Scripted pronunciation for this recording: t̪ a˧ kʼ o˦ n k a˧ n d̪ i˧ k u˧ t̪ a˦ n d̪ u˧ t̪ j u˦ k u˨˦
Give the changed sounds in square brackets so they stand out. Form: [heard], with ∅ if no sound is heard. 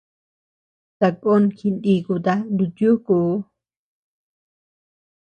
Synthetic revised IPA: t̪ a˧ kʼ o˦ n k [i˧] n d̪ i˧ k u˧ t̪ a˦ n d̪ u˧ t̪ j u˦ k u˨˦